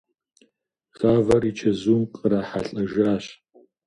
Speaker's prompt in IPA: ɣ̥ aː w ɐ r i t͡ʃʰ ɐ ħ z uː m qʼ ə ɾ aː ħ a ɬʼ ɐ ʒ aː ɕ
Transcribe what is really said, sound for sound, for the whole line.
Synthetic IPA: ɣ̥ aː v ɐ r i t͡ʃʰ ɐ z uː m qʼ ə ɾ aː ħ a ɬʼ ɐ ʒ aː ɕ